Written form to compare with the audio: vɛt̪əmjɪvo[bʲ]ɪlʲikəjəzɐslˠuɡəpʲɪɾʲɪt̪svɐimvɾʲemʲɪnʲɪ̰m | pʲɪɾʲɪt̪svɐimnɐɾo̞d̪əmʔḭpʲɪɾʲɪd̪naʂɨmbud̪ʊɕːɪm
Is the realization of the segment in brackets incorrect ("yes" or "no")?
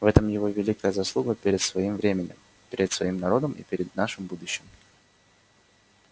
yes